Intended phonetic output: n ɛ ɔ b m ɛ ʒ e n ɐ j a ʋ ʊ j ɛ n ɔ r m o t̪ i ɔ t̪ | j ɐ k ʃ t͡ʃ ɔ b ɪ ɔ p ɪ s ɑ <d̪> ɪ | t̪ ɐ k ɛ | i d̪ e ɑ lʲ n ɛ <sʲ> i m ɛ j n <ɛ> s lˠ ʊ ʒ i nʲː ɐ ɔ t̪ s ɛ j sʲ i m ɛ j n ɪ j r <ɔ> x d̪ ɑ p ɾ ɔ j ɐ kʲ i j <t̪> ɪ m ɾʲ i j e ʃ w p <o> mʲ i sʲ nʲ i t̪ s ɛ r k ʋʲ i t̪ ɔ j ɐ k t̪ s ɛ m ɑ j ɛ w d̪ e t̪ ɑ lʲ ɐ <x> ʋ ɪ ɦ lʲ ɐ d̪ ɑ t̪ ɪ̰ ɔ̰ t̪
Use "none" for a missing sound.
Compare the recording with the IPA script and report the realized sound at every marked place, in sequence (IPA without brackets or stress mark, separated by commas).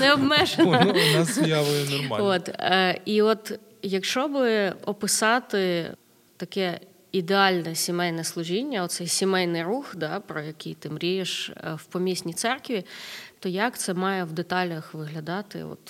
t̪, sʲ, ɛ, u, t̪, ɔ, x